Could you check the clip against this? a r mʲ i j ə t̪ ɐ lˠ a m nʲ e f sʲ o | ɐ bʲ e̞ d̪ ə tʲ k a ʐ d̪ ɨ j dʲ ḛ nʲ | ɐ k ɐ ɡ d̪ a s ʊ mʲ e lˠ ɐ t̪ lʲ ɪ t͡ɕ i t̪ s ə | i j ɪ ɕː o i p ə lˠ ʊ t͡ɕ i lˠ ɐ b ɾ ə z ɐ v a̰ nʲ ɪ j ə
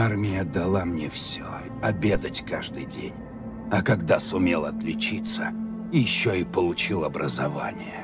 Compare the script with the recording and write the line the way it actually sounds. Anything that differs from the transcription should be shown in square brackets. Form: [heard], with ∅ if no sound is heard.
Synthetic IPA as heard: a r mʲ [ɪ] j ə [d̪] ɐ lˠ a m nʲ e f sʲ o | ɐ bʲ e̞ d̪ ə tʲ k a ʐ d̪ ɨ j dʲ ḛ nʲ | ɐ k ɐ ɡ d̪ a s ʊ mʲ e lˠ ɐ t̪ lʲ ɪ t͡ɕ i t̪ s ə | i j ɪ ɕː o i p ə lˠ ʊ t͡ɕ i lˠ ɐ b ɾ ə z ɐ v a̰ nʲ ɪ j ə